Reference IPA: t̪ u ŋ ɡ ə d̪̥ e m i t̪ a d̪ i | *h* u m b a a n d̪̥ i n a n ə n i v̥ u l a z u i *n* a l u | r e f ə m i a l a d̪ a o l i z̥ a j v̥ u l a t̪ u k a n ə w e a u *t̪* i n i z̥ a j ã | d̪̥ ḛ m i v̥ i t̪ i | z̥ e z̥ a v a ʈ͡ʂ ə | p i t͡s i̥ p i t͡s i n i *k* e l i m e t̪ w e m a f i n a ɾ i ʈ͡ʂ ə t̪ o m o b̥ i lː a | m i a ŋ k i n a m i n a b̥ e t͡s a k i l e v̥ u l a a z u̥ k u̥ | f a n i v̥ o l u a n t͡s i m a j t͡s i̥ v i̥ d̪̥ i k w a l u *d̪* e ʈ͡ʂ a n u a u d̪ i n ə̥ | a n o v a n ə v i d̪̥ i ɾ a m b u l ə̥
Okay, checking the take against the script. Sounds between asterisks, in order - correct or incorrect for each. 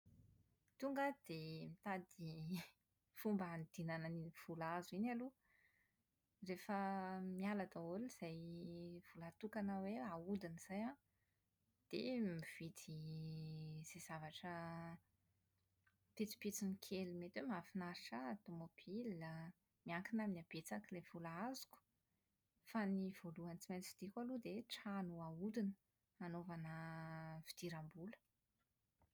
incorrect: f, correct, incorrect: d̪, incorrect: kʰ, correct

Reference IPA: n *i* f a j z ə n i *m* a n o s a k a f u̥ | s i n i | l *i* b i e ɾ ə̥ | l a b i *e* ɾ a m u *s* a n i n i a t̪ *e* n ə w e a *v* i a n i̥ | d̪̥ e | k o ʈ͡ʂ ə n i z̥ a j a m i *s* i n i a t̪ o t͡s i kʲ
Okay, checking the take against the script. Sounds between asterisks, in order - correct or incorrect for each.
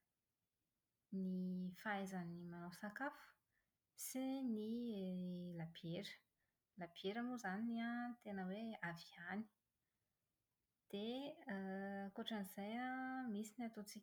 correct, correct, incorrect: a, correct, incorrect: z, correct, correct, correct

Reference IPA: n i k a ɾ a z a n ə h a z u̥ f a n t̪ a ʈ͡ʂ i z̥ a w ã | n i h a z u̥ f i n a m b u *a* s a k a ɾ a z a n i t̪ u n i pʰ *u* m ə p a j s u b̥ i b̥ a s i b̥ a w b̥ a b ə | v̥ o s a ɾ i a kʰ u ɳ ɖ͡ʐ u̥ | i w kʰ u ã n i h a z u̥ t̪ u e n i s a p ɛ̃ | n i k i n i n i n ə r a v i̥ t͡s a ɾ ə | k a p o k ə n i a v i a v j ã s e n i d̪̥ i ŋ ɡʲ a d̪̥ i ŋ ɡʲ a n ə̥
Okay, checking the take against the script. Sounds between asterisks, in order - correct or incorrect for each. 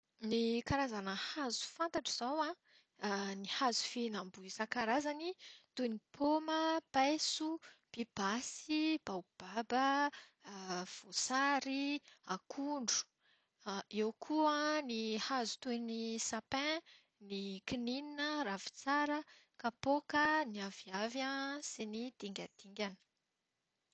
incorrect: i, incorrect: o

